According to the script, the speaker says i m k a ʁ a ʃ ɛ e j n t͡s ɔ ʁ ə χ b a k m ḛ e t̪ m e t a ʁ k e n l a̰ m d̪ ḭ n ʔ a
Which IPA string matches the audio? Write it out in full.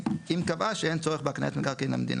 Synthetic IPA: i m k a v a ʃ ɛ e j n t͡s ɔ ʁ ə χ b a k n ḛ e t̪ m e k a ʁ k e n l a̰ m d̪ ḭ n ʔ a

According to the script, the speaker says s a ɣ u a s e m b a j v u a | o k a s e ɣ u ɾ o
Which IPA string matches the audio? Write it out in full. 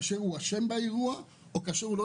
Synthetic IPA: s e ɣ u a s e m b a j ɣ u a | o k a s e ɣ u ɾ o

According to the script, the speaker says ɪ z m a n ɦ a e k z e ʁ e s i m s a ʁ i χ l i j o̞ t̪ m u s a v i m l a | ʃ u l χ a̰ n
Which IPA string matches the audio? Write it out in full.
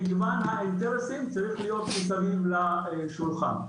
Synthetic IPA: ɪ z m a n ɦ a e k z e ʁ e s i m t͡s a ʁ i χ l i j o̞ t̪ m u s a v i m l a | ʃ u l χ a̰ n

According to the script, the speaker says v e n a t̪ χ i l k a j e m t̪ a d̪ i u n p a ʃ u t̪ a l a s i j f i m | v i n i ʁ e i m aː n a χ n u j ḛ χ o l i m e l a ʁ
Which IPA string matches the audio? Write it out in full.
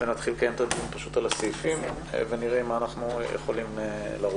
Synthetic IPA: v e n a t̪ χ i l k a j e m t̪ a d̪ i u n p a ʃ u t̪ a l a s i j f i m | v e n i ʁ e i m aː n a χ n u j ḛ χ o l i m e l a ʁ

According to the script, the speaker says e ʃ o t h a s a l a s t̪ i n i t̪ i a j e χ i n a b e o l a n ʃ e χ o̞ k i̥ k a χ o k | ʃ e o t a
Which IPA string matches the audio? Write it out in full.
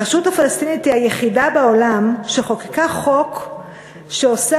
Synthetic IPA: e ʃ u t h a f a l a s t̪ i n i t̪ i a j e χ i d a b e o l a m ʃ e χ o̞ k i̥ k a χ o k | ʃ e o s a

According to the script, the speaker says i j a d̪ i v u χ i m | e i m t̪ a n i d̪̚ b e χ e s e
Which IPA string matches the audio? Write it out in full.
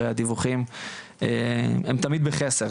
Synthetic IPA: e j a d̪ i v u χ i m | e e m t̪ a m i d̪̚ b e χ e s e

